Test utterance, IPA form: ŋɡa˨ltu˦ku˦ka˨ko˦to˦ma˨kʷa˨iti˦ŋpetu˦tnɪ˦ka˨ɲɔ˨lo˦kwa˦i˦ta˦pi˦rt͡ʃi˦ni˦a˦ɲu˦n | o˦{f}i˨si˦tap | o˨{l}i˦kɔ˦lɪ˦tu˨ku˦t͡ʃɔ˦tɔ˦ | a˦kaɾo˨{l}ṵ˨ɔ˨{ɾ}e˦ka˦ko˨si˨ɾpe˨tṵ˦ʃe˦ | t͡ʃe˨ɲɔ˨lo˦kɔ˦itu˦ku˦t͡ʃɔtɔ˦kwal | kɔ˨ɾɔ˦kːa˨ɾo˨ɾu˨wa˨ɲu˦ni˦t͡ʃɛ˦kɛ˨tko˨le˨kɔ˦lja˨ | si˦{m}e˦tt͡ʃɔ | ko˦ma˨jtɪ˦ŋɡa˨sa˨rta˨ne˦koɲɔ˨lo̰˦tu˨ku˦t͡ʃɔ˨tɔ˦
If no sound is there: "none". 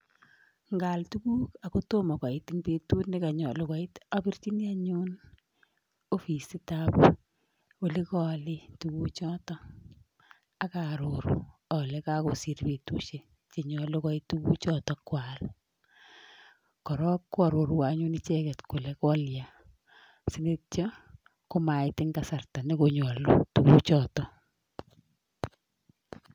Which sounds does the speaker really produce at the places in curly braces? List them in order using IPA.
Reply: f, l, ɾ, l, n

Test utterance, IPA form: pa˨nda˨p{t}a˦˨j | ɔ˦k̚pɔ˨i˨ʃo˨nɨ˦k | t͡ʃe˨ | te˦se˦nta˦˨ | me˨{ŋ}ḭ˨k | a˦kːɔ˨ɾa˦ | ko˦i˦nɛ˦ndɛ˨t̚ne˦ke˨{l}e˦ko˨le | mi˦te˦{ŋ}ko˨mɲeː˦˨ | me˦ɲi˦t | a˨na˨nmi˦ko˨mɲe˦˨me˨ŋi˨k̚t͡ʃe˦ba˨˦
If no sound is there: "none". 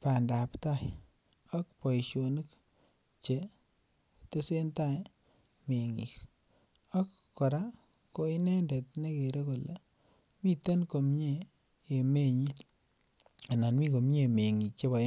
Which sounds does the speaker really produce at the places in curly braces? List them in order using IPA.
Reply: t, ŋ, ɾ, n

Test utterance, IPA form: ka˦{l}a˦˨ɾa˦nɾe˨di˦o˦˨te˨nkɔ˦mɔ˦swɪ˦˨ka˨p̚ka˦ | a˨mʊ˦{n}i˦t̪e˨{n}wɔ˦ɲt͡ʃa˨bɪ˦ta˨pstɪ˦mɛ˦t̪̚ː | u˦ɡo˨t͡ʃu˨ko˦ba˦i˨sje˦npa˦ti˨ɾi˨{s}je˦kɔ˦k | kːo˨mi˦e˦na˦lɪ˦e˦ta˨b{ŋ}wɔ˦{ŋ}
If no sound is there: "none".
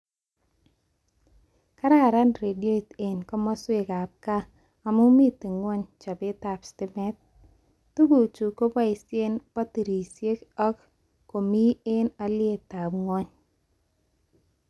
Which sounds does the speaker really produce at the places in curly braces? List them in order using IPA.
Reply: ɾ, m, ŋ, s, ŋ, ɲ

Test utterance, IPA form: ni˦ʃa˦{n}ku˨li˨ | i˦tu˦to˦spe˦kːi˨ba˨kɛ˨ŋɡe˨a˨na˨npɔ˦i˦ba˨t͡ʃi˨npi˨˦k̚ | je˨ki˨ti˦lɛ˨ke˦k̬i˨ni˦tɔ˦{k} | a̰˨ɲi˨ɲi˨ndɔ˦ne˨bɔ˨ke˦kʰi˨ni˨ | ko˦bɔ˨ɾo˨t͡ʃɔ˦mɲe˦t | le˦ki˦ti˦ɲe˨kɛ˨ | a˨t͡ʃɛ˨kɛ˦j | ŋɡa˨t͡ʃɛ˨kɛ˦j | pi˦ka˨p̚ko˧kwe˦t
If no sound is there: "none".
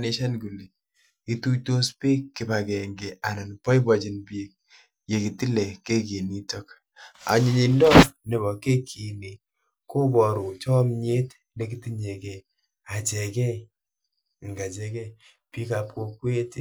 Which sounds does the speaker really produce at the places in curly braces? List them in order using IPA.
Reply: n, k

